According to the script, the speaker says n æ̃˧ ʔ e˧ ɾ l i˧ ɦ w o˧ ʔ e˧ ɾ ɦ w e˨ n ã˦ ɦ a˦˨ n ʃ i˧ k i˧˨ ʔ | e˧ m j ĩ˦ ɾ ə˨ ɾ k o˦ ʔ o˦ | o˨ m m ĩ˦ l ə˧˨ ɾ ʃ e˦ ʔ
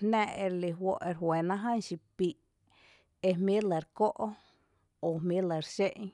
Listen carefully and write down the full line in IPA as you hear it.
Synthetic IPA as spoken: n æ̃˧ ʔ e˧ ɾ l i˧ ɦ w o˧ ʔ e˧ ɾ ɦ w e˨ n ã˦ ɦ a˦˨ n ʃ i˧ p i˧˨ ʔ | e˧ m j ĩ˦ l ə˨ ɾ k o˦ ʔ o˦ | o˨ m m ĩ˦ l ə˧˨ ɾ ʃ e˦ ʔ